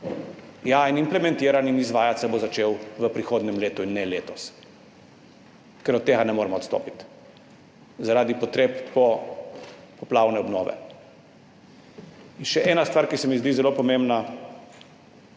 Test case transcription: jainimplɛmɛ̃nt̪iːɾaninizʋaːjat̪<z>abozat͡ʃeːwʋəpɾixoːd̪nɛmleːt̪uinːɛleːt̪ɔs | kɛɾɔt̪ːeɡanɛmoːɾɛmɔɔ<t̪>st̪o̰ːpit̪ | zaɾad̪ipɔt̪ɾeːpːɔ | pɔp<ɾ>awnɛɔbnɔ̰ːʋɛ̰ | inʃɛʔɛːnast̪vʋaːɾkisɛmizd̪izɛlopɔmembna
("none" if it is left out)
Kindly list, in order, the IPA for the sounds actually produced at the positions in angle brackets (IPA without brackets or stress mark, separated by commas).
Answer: s, t̪, l